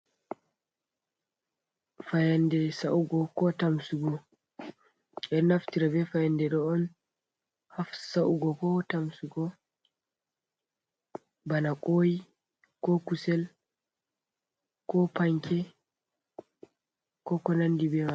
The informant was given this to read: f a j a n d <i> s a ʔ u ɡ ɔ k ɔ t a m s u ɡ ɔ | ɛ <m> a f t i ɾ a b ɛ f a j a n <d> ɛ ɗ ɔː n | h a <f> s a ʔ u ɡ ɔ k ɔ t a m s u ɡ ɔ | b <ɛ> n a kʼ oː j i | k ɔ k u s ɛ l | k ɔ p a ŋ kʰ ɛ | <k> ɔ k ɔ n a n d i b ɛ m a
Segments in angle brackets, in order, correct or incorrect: incorrect: ɛ, incorrect: n, correct, correct, incorrect: a, correct

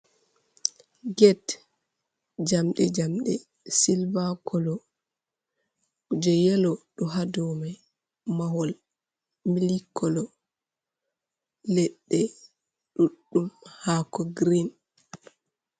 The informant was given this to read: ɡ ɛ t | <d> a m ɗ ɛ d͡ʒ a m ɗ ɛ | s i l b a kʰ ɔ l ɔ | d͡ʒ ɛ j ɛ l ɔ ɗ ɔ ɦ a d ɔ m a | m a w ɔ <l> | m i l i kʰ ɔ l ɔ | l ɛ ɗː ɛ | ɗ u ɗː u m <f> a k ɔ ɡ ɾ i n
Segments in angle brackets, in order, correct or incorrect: incorrect: d͡ʒ, correct, incorrect: h

